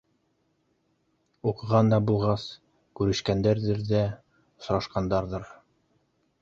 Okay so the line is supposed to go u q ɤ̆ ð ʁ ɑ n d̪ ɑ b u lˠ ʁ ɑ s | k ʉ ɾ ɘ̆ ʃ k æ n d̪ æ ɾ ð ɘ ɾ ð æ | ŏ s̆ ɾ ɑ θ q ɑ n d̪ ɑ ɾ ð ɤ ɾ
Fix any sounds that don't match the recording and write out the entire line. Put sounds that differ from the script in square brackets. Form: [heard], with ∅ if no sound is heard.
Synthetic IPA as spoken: u q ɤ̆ [∅] ʁ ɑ n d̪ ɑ b u lˠ ʁ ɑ s | k ʉ ɾ ɘ̆ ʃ k æ n d̪ æ ɾ ð ɘ ɾ ð æ | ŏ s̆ ɾ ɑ [ʃ] q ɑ n d̪ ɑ ɾ ð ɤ ɾ